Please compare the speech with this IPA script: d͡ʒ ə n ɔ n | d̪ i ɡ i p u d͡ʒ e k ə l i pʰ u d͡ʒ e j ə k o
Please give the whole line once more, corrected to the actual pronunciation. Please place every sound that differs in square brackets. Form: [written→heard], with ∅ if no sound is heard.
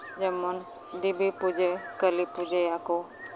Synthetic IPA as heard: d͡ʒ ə [n→m] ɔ n | d̪ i [ɡ→b] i p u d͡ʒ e k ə l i [pʰ→p] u d͡ʒ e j [ə→a] k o